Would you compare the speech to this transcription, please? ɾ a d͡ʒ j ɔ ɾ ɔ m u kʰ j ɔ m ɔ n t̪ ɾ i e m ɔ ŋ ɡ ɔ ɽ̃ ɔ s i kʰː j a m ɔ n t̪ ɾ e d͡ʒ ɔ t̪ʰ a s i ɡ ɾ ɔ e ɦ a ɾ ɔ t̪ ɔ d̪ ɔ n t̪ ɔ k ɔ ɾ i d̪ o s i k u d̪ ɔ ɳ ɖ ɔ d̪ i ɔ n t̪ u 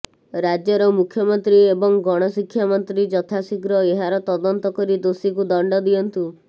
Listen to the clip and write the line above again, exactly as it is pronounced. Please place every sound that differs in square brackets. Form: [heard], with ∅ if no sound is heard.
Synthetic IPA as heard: ɾ a d͡ʒ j ɔ ɾ ɔ m u kʰ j ɔ m ɔ n t̪ ɾ i e [b] ɔ ŋ ɡ ɔ ɽ̃ ɔ s i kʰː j a m ɔ n t̪ ɾ [i] d͡ʒ ɔ t̪ʰ a s i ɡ ɾ ɔ e ɦ a ɾ ɔ t̪ ɔ d̪ ɔ n t̪ ɔ k ɔ ɾ i d̪ o s i k u d̪ ɔ ɳ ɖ ɔ d̪ i ɔ n t̪ u